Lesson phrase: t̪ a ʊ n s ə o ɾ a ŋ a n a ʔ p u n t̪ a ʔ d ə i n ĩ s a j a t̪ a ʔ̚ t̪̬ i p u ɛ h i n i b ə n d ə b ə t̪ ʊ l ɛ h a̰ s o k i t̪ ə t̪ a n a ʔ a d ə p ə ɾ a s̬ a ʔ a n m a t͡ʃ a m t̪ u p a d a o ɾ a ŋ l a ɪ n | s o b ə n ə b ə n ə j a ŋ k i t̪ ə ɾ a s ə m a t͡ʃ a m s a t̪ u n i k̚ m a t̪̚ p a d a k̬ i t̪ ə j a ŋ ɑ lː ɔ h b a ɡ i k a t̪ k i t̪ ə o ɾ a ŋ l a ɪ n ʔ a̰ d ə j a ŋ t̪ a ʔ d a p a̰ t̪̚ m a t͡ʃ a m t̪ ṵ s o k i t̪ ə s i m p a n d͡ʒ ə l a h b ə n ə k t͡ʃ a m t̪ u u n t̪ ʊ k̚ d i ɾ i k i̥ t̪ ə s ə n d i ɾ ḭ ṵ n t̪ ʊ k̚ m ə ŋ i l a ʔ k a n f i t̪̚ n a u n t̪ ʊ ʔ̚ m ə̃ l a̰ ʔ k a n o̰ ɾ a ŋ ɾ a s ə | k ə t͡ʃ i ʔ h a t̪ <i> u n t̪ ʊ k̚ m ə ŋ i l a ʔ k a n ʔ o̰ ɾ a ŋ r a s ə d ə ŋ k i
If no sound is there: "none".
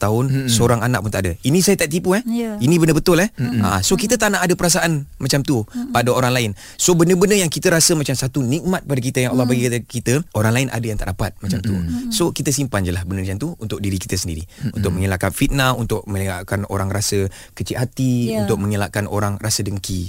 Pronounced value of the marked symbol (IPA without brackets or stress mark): i